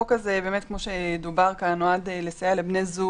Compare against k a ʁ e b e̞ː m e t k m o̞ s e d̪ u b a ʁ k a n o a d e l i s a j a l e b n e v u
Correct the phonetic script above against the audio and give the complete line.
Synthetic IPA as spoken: k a z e b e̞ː m e t k m o̞ ʃ e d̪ u b a ʁ k a n o a d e l e s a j a l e b n e z u